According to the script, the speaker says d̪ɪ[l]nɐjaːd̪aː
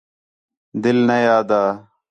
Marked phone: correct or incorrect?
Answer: correct